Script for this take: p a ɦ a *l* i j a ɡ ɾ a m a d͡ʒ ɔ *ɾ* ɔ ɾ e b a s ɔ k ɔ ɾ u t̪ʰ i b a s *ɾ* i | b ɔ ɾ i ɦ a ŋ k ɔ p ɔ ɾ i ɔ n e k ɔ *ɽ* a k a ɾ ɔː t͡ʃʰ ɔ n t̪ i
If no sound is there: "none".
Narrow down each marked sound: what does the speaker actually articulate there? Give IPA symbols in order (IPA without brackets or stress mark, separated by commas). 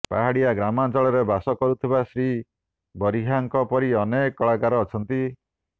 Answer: ɽ, ɭ, ɾ, ɭ